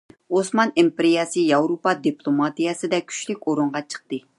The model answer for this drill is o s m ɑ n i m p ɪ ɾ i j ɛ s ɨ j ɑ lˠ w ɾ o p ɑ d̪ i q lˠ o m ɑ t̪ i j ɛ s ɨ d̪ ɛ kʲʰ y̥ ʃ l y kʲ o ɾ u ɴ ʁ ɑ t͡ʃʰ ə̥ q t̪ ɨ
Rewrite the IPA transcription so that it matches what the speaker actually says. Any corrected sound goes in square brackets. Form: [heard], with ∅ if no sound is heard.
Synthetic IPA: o s m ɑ n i m p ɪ ɾ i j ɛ s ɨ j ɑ [∅] w ɾ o p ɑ d̪ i [p] lˠ o m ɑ t̪ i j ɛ s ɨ d̪ ɛ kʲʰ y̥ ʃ l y kʲ o ɾ u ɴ ʁ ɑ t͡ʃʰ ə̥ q t̪ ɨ